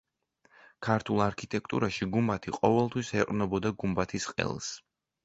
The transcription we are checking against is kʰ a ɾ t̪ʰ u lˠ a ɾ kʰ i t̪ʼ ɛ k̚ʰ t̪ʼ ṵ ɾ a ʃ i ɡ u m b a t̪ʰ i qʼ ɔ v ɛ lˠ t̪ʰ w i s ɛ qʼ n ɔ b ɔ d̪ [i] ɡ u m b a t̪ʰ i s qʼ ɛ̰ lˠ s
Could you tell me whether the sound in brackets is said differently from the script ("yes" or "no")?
yes